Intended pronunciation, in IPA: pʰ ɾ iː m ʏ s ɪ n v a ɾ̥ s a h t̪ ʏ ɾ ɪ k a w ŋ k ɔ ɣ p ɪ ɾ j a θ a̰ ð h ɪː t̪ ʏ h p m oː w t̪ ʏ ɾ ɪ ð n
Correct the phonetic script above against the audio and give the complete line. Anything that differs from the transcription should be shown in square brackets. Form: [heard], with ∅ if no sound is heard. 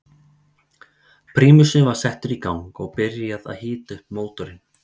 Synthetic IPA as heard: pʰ ɾ iː m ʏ s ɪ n v a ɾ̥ s [ɛ] h t̪ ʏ ɾ [i] k a w ŋ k ɔ ɣ p ɪ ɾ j a [ð] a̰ ð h ɪː t̪ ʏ h p m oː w t̪ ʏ ɾ ɪ [∅] n